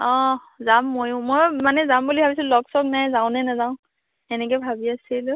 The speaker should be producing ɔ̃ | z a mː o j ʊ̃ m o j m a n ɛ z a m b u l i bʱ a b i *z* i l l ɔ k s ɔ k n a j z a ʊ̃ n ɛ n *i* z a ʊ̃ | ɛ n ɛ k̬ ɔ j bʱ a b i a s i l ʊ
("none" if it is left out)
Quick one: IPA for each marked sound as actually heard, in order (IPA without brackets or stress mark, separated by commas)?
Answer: s, a